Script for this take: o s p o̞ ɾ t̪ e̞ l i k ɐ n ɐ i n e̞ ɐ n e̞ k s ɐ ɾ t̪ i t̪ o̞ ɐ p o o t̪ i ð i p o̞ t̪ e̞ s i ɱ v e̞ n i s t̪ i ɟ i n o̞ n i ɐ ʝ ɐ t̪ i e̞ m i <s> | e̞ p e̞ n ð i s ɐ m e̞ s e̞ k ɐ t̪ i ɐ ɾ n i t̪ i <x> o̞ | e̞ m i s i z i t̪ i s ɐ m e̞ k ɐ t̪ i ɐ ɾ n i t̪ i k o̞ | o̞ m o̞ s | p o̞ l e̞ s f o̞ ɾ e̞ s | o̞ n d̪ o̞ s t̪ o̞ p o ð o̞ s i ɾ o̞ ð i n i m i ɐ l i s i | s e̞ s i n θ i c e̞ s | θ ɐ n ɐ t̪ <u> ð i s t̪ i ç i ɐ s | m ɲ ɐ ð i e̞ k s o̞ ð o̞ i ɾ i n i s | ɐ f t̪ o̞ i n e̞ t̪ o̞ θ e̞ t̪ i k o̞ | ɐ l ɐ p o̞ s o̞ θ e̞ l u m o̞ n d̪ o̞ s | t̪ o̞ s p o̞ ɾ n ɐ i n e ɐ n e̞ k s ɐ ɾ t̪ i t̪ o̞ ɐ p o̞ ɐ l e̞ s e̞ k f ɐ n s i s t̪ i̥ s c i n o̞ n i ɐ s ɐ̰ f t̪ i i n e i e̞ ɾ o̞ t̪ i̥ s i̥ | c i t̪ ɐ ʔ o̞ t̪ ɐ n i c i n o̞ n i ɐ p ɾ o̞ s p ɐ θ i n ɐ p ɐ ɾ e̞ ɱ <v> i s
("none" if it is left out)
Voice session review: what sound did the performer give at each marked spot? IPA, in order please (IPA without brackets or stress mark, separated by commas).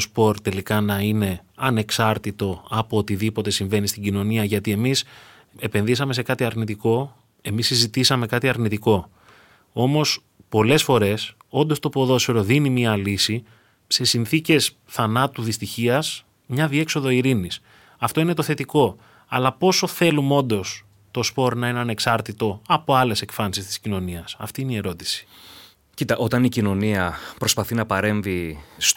s, k, u, v